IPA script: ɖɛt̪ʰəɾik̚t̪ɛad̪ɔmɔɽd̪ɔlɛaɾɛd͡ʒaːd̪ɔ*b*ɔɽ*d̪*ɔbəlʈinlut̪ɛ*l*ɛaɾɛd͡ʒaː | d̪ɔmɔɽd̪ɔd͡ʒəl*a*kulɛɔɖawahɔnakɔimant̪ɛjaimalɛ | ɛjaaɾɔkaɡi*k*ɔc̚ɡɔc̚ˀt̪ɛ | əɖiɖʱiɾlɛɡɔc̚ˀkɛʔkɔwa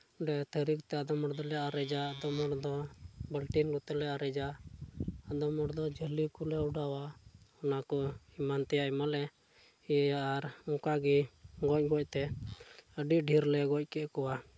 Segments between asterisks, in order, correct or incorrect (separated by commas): incorrect, correct, correct, incorrect, incorrect